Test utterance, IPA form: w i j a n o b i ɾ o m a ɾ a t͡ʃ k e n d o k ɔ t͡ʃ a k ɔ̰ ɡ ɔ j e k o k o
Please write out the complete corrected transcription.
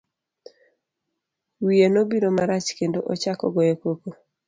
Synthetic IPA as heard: w i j e n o b i ɾ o m a ɾ a t͡ʃ k e n d o ʔ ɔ t͡ʃ a k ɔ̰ ɡ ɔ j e k o k o